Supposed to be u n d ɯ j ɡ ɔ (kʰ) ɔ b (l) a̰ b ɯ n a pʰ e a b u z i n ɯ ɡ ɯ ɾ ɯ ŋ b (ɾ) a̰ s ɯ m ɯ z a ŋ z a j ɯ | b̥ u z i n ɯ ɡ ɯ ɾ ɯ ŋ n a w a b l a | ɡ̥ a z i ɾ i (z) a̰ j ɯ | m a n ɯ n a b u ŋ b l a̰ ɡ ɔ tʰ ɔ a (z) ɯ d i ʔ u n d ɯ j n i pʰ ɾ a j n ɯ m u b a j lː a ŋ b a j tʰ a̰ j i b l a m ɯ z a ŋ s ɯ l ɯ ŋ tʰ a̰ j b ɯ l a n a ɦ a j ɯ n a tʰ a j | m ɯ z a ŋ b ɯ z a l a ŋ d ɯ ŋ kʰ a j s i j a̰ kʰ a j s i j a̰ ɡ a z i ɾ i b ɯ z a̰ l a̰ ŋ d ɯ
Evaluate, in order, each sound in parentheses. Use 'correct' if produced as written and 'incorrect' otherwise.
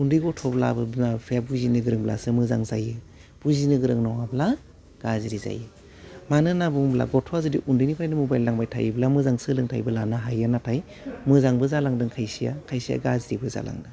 incorrect: tʰ, correct, incorrect: l, correct, correct

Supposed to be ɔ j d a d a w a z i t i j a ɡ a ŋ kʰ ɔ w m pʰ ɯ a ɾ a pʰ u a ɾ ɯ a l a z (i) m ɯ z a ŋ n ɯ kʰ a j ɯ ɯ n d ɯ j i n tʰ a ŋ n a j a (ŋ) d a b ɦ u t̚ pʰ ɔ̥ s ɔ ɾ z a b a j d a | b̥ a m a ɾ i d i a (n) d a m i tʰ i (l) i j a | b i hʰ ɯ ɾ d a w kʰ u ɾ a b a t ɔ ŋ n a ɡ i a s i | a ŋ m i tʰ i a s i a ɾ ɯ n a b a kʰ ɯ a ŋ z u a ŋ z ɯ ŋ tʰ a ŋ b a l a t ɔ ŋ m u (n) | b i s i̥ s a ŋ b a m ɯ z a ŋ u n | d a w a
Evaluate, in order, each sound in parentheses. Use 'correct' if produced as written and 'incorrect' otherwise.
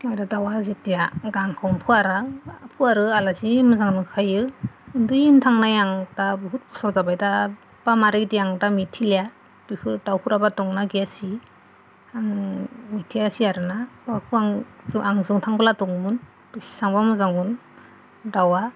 correct, correct, incorrect: ŋ, correct, correct

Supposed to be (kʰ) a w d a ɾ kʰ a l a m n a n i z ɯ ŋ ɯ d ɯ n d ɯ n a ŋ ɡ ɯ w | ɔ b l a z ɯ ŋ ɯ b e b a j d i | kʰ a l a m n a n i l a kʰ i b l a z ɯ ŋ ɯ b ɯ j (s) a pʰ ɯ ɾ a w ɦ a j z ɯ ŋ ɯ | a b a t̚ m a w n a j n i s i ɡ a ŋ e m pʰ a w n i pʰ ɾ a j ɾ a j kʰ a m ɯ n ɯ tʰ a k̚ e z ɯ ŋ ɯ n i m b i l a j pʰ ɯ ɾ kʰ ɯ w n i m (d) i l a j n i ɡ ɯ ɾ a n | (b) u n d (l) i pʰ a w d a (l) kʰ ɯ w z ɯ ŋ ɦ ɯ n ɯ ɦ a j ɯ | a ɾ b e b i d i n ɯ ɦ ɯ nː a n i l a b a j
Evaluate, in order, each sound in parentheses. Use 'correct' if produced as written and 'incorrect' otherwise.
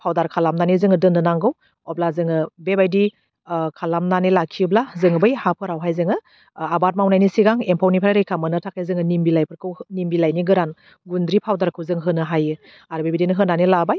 incorrect: pʰ, incorrect: h, incorrect: b, incorrect: ɡ, incorrect: ɾ, incorrect: ɾ

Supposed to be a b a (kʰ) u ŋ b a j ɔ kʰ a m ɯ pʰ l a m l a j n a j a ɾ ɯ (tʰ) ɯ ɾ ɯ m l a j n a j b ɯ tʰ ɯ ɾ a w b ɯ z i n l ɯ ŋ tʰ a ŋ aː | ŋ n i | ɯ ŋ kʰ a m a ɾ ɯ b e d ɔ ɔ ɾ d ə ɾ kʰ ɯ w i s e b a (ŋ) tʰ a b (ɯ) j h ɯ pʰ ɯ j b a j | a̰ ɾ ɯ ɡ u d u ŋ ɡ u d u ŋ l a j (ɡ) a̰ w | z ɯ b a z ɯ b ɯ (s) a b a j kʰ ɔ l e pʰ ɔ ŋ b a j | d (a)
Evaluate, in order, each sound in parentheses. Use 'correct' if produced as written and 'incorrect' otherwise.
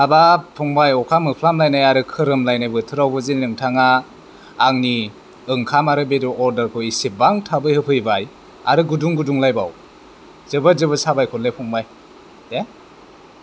incorrect: pʰ, incorrect: kʰ, correct, correct, incorrect: b, correct, incorrect: e

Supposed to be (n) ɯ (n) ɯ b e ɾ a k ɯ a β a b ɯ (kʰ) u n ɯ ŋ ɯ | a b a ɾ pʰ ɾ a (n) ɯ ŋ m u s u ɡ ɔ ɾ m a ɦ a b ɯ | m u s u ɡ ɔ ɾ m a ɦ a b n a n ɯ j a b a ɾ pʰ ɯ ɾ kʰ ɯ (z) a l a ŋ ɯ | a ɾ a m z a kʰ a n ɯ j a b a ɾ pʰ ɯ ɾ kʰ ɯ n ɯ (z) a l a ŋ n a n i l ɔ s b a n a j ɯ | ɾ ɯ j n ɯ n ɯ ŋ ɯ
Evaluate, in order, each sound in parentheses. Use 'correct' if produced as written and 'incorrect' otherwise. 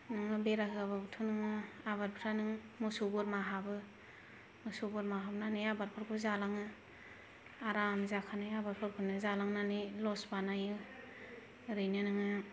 correct, incorrect: ŋ, incorrect: tʰ, correct, correct, correct

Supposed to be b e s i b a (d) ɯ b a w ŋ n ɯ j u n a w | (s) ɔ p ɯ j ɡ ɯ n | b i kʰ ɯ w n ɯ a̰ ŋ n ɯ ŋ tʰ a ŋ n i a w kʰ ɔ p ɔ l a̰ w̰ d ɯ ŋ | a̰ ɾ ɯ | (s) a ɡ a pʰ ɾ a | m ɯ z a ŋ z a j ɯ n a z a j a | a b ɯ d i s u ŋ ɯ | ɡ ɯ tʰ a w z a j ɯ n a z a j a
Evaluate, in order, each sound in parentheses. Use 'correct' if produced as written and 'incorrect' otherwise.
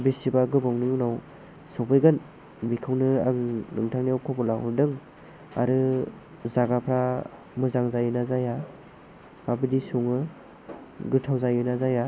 incorrect: ɡ, correct, incorrect: z

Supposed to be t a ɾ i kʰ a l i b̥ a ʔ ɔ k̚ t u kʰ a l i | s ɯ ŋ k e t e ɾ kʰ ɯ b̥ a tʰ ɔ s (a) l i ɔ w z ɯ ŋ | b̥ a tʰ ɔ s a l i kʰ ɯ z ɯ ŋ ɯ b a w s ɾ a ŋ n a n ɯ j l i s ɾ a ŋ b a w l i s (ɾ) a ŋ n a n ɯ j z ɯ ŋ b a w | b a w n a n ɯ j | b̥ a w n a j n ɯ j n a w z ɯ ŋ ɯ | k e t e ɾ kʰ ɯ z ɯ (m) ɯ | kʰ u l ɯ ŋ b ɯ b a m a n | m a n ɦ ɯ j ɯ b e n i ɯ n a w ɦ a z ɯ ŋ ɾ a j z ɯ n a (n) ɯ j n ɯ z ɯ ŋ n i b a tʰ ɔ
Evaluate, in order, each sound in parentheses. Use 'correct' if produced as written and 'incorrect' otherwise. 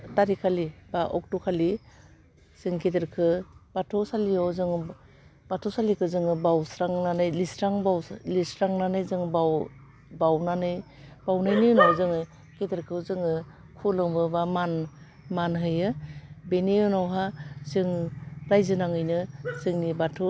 correct, correct, incorrect: ŋ, incorrect: ŋ

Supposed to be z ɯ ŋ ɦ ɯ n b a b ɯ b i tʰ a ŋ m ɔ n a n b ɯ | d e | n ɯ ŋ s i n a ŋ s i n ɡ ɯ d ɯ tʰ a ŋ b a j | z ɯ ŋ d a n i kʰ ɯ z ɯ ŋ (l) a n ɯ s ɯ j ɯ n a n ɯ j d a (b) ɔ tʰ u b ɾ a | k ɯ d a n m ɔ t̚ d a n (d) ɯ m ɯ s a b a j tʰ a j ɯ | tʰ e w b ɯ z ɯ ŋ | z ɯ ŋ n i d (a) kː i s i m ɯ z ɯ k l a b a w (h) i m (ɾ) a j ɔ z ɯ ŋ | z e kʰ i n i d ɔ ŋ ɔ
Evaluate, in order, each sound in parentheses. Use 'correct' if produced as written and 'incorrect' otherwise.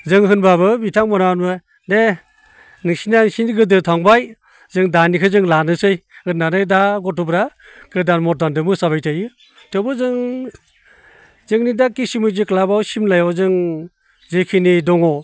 correct, incorrect: ɡ, correct, correct, incorrect: s, incorrect: l

